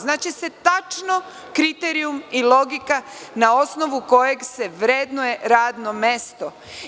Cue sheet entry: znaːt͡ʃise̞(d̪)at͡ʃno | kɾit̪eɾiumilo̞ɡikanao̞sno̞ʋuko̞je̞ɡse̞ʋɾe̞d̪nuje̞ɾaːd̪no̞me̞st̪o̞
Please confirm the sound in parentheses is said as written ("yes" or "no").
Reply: no